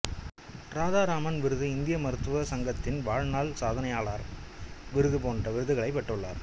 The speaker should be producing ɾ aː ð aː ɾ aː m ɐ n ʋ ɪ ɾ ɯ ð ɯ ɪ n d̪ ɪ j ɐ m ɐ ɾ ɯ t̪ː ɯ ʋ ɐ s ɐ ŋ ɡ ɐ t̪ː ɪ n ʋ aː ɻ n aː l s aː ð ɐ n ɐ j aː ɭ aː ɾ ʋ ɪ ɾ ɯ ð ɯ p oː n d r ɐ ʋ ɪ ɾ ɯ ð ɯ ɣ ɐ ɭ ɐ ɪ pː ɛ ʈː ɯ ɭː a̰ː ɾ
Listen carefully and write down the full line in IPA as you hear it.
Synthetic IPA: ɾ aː ð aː ɾ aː m ɐ n ʋ ɪ ɾ ɯ ð ɯ ɪ n d̪ ɪ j ɐ m ɐ ɾ ɯ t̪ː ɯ ʋ ɐ s ɐ ŋ ɡ ɐ t̪ː ɪ n ʋ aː ɻ n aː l s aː ð ɐ n ɐ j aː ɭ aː ɾ ʋ ɪ ɾ ɯ ð ɯ p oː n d r ɐ ʋ ɪ ɾ ɯ ð ɯ ɣ ɐ ɭ ɐ ɪ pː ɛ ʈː ɯ ɭː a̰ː ɾ